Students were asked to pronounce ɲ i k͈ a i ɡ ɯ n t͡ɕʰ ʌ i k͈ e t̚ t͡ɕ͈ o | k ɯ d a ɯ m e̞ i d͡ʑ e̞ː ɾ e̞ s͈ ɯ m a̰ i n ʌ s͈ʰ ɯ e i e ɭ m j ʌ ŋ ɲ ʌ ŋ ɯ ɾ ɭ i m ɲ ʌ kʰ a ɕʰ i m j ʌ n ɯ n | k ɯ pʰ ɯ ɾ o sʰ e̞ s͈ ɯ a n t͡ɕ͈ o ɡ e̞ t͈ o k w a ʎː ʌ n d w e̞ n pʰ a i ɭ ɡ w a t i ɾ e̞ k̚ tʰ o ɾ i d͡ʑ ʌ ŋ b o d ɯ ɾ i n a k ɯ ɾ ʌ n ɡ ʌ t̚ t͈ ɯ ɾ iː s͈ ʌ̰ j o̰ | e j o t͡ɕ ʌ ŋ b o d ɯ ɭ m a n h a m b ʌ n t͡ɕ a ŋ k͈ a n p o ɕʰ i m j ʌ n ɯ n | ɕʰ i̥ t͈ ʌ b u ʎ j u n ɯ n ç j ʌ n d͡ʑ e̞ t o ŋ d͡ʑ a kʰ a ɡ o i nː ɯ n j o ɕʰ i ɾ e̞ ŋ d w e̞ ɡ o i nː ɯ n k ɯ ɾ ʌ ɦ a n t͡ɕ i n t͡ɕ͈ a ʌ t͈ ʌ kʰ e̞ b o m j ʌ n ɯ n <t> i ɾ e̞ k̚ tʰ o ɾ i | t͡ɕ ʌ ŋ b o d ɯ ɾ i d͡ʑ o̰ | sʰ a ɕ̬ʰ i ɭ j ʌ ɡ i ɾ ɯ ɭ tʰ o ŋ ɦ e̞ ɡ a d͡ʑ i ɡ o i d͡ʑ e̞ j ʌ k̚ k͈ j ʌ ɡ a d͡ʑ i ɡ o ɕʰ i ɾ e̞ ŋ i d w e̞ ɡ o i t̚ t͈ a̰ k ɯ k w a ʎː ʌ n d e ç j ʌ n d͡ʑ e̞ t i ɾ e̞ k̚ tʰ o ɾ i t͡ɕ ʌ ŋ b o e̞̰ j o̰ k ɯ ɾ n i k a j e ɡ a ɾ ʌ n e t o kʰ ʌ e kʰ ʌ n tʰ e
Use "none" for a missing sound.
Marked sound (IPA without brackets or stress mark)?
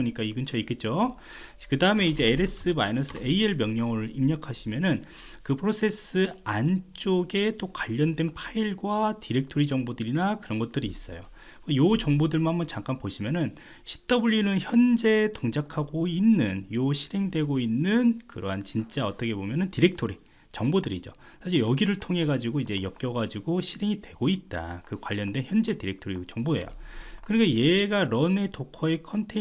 t